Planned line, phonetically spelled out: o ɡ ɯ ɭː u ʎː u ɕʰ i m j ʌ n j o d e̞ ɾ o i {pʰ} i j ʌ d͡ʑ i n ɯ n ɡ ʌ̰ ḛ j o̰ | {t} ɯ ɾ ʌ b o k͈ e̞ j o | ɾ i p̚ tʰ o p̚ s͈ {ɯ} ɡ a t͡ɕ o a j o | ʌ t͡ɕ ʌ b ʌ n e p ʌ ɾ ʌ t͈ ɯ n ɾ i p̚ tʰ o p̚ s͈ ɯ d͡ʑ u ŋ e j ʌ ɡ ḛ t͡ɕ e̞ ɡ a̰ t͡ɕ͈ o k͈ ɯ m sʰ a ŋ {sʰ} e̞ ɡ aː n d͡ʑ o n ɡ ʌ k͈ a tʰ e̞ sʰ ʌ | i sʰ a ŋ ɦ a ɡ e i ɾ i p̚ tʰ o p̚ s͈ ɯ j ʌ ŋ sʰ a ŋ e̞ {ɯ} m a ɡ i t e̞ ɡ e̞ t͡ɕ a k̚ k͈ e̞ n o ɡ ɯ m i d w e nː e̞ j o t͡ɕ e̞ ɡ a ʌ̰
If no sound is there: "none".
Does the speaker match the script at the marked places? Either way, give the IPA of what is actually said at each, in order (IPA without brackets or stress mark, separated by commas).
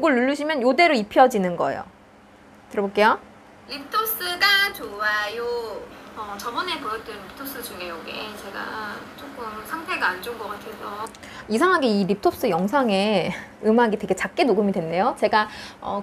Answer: pʰ, t, ɯ, tʰ, ɯ